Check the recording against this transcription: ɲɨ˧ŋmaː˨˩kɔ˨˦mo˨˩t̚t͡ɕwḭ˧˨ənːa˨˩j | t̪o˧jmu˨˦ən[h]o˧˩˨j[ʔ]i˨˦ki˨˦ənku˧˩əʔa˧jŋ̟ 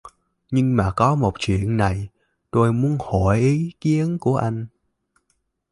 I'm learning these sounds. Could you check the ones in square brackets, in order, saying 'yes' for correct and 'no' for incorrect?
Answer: yes, yes

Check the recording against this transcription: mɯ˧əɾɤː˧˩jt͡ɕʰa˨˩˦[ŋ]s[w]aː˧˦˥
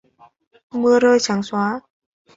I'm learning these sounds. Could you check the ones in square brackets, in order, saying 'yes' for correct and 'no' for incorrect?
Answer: yes, yes

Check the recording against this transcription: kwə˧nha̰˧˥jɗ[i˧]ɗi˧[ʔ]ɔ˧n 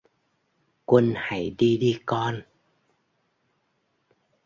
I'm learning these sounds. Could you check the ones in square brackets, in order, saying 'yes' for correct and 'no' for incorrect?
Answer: yes, no

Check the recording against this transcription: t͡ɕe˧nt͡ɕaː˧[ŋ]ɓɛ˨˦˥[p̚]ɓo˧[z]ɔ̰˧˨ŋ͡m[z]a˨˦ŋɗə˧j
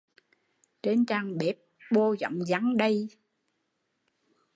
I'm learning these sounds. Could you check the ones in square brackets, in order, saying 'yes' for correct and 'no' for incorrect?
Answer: yes, yes, yes, yes

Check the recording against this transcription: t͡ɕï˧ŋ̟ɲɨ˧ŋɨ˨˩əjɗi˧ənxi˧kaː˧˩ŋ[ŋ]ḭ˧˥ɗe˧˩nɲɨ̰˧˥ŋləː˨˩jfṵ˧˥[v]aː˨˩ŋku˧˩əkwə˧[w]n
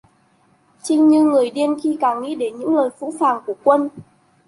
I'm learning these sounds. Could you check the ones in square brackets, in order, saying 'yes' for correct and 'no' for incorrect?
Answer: yes, no, no

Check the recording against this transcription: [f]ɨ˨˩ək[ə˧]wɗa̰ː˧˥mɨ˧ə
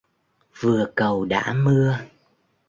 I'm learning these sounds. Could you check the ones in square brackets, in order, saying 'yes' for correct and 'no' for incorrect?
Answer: no, no

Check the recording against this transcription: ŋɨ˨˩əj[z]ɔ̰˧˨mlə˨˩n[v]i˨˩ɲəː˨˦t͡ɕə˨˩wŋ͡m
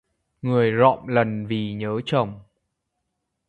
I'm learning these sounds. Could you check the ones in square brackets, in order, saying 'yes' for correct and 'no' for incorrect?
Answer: yes, yes

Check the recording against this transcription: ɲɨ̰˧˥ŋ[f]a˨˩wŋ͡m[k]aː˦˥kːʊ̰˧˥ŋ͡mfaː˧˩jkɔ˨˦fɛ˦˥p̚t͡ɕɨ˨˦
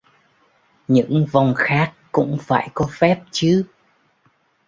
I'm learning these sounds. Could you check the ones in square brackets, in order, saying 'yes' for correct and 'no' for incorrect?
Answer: no, no

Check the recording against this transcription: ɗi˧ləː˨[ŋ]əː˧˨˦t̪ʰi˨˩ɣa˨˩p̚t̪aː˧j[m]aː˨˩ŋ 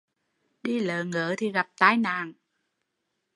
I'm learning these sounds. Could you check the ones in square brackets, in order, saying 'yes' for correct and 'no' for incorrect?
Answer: yes, no

